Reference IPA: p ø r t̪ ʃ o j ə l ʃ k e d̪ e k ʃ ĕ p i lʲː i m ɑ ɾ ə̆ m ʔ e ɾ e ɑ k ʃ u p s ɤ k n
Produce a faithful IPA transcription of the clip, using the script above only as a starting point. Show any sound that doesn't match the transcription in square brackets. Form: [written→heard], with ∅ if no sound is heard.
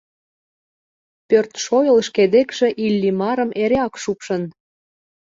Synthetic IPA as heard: p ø r t̪ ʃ o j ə l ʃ k e d̪ e k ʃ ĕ [p→ʔ] i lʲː i m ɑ ɾ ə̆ m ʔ e ɾ e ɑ k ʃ u p [s→ʃ] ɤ [k→∅] n